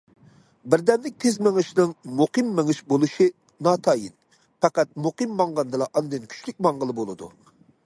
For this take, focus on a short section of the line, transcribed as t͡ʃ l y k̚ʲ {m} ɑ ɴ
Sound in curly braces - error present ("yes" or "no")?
no